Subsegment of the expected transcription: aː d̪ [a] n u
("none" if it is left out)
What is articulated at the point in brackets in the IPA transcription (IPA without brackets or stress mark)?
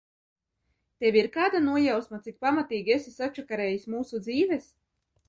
a